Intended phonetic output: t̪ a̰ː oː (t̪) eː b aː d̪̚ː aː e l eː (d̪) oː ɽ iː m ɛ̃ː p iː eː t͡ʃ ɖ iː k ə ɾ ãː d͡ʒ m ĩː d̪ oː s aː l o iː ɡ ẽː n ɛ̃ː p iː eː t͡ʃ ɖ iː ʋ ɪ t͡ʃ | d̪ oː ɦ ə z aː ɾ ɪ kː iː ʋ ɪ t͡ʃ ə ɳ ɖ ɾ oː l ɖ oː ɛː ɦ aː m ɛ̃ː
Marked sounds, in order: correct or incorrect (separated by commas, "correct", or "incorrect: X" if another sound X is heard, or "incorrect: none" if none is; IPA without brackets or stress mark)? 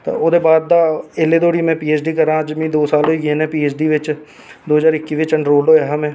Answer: incorrect: d̪, correct